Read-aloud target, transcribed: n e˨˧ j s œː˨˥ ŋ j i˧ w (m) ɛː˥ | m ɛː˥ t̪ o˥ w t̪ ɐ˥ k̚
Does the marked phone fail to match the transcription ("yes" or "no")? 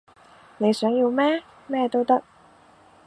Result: no